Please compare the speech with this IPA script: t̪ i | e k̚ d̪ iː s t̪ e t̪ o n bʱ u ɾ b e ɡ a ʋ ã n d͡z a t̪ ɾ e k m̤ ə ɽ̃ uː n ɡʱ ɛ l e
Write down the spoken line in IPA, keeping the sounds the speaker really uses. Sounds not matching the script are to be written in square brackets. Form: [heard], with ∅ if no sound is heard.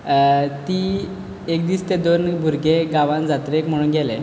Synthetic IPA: t̪ i | e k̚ d̪ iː s t̪ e [d̪] o n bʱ u ɾ [ɡ] e ɡ a ʋ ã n d͡z a t̪ ɾ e k m̤ ə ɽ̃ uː n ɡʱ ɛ l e